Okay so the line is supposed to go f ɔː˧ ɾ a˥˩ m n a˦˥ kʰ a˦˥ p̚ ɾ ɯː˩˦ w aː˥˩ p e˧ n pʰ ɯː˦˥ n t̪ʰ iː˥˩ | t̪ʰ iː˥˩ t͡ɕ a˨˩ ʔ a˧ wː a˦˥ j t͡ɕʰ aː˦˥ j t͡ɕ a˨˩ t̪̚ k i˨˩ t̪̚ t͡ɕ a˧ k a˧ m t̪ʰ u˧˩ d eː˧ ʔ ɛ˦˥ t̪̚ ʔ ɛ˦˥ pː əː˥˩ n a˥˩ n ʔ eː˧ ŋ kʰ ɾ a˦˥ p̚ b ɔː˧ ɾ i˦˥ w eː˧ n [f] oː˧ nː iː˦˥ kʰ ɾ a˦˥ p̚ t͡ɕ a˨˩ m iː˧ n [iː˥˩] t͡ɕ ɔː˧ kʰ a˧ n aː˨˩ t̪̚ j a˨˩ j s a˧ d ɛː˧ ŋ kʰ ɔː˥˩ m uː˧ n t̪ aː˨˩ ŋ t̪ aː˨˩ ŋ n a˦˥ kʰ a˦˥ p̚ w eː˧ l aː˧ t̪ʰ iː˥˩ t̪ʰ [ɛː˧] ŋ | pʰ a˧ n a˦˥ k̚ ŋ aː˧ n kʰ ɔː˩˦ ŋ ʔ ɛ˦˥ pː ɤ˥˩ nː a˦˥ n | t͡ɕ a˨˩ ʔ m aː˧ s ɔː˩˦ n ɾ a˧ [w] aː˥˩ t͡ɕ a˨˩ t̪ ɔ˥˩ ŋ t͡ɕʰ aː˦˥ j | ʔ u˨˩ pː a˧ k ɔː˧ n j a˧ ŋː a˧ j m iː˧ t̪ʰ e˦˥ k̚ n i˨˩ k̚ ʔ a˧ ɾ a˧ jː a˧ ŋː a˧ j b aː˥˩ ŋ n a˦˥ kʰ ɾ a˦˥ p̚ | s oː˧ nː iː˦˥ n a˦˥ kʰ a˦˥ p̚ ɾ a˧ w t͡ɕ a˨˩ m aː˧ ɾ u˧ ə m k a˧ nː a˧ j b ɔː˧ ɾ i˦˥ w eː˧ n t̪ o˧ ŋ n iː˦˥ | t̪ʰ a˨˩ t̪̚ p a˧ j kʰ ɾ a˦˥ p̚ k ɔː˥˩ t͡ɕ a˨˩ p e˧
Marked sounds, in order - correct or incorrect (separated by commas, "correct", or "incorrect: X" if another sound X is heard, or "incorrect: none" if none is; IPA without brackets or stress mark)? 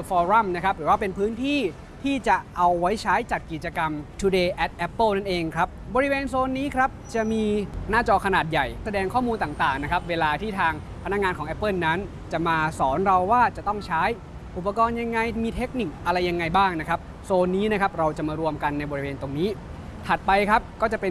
incorrect: s, incorrect: aː˥˩, incorrect: aː˧, incorrect: wː